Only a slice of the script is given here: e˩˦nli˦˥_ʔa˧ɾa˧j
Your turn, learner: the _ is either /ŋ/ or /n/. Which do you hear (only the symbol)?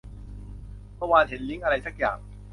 ŋ